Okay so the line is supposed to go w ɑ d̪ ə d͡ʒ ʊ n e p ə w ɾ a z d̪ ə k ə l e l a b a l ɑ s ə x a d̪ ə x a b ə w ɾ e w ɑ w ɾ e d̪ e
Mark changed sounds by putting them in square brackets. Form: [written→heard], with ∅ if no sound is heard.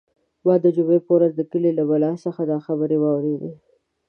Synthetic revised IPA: w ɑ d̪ ə d͡ʒ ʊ [n→m] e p ə w ɾ a z d̪ ə k ə l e l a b a l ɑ s ə x a d̪ [ə→ɑ] x a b ə [w→∅] ɾ e w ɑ w ɾ e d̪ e